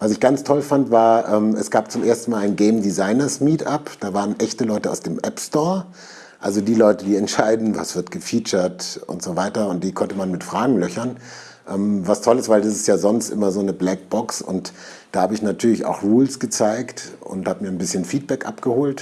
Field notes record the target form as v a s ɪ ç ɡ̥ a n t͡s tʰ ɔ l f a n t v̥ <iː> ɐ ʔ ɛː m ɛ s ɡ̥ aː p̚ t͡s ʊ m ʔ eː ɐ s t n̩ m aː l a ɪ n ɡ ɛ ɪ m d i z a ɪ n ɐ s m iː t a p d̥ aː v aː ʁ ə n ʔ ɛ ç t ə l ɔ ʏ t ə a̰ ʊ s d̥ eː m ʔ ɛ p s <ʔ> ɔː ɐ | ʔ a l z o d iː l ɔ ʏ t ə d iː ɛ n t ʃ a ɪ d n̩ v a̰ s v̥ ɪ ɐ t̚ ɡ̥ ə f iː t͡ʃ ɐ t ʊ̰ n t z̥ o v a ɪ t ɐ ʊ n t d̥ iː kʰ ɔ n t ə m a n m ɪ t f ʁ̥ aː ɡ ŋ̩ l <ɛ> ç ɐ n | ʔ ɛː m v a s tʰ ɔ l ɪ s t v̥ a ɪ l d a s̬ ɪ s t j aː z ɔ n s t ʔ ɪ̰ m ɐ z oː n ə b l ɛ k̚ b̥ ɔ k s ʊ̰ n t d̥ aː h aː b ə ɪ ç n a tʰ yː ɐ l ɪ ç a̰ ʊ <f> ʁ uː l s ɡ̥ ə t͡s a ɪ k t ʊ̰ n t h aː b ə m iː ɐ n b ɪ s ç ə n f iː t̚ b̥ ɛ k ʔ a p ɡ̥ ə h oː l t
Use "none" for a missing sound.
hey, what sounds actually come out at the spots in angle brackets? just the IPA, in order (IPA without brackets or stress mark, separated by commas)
aː, t, œ, x